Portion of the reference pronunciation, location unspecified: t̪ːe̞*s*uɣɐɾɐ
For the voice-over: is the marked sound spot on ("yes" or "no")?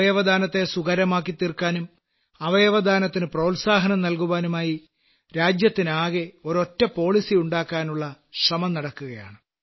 yes